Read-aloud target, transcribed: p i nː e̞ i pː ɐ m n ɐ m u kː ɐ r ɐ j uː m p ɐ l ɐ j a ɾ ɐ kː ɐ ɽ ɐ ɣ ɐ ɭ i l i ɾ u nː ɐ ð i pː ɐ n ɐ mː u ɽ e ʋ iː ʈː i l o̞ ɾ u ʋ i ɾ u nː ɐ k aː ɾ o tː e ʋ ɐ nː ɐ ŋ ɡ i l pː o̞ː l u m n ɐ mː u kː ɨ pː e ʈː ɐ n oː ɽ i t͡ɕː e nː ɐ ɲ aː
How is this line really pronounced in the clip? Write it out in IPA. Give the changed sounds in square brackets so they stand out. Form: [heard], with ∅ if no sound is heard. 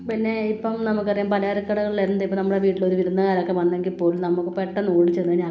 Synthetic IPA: p i nː e̞ i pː ɐ m n ɐ m u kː ɐ r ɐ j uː m p ɐ l ɐ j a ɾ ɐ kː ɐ ɽ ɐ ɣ ɐ ɭ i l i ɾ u nː ɐ ð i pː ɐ n ɐ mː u ɽ e ʋ iː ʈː i l o̞ ɾ u ʋ i ɾ u nː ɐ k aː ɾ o [kː] e ʋ ɐ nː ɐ ŋ ɡ i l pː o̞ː l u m n ɐ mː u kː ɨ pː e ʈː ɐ n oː ɽ i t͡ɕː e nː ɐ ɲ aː